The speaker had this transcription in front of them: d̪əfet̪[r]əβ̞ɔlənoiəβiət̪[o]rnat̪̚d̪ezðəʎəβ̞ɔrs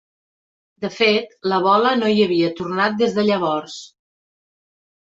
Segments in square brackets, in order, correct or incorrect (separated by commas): incorrect, incorrect